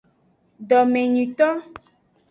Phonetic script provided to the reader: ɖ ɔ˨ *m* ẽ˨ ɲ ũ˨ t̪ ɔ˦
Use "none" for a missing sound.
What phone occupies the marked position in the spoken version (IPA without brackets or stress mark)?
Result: m